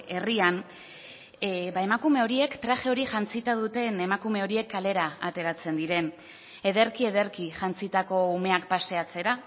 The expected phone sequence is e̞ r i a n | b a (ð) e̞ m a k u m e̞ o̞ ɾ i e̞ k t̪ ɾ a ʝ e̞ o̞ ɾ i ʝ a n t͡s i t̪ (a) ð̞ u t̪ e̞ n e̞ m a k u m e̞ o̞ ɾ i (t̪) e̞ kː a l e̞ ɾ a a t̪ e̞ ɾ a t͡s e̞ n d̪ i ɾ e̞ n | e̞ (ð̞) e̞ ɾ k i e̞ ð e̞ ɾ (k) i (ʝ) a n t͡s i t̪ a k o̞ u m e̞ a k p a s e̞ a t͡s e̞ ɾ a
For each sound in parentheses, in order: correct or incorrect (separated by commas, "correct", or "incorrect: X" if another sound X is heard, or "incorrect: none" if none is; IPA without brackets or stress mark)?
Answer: incorrect: none, correct, incorrect: none, correct, correct, correct